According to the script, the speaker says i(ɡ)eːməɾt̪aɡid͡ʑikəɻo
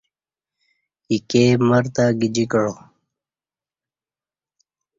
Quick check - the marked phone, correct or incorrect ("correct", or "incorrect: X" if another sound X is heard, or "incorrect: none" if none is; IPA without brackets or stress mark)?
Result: incorrect: k